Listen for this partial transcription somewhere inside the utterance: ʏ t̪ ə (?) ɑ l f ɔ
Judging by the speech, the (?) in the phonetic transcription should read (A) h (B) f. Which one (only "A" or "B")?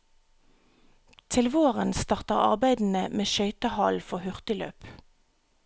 A